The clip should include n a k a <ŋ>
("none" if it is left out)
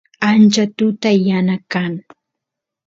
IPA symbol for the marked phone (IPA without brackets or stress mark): ŋ